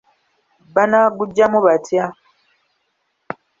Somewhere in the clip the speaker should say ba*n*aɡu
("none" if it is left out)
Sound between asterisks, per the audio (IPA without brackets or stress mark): n